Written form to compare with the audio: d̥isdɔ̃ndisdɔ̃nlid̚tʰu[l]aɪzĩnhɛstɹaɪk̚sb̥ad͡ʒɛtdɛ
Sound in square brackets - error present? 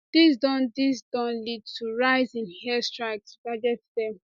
yes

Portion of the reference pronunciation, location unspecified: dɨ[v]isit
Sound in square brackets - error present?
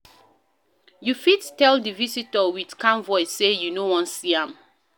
no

